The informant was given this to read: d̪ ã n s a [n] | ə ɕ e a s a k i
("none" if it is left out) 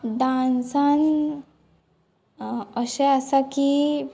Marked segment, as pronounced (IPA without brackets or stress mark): n